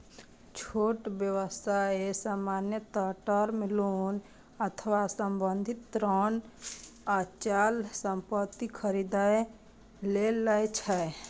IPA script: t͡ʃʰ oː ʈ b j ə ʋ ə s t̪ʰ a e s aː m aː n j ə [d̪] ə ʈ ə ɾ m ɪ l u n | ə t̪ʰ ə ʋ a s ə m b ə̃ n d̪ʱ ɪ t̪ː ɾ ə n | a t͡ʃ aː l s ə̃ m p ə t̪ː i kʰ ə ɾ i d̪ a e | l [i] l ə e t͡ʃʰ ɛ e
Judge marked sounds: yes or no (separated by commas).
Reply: no, no